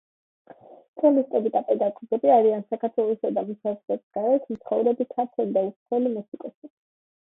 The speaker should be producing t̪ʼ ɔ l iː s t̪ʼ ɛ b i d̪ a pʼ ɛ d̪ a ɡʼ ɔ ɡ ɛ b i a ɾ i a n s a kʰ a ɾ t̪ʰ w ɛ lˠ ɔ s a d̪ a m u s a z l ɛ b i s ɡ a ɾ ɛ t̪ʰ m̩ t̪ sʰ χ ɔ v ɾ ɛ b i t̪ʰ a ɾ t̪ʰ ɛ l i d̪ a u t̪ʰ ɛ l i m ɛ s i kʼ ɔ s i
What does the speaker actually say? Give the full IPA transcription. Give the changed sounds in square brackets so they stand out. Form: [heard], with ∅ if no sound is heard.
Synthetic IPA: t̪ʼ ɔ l [i] s t̪ʼ ɛ b i d̪ a pʼ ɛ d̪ a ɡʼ ɔ ɡ ɛ b i a ɾ i a n s a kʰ a ɾ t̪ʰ w ɛ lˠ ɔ s a d̪ a m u s a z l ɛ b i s ɡ a ɾ ɛ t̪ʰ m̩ t̪ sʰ χ ɔ v ɾ ɛ b i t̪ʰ a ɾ t̪ʰ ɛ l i d̪ a u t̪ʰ ɛ l i m ɛ s i kʼ ɔ s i